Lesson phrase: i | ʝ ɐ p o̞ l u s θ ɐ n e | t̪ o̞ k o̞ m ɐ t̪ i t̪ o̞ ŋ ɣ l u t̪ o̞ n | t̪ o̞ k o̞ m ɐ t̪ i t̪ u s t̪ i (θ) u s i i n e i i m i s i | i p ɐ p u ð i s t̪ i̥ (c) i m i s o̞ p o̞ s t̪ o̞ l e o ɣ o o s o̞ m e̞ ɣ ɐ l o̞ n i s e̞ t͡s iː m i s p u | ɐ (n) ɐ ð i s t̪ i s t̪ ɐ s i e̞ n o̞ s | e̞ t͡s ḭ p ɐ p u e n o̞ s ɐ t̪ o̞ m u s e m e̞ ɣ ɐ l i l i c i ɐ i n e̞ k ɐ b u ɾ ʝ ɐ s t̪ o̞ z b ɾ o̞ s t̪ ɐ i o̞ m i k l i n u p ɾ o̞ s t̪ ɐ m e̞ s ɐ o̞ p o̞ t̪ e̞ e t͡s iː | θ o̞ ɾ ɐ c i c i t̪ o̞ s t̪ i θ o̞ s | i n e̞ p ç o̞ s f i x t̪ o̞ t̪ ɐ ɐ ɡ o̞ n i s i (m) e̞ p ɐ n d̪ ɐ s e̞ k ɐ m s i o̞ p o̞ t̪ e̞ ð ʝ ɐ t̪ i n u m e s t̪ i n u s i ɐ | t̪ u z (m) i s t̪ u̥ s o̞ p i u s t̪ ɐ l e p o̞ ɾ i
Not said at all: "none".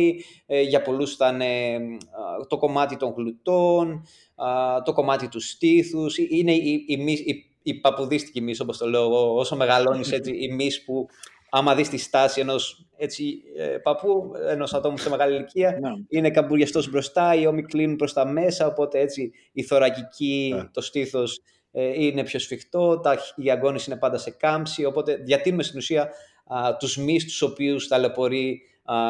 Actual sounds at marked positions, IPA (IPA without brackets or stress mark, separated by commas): θ, c, m, n, m